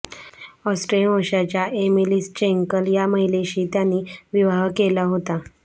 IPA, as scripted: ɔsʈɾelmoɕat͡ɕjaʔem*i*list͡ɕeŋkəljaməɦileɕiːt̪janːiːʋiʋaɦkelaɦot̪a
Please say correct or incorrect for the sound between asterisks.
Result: correct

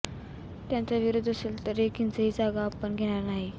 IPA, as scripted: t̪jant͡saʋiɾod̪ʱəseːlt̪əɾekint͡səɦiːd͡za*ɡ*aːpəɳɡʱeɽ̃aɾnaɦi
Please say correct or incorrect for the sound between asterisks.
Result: correct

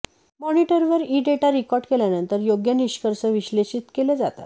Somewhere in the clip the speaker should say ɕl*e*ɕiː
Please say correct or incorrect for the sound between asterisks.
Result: correct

